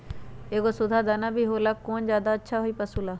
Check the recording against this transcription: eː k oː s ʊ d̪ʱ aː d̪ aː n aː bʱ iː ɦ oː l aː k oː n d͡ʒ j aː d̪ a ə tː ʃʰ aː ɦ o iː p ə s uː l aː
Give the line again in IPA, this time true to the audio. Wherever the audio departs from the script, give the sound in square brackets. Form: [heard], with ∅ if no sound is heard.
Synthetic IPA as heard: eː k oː s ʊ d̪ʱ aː d̪ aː n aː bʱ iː ɦ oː l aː k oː n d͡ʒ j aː d̪ a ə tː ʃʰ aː ɦ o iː p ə s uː l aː